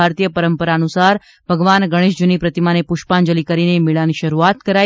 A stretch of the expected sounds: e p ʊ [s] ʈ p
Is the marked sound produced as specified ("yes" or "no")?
no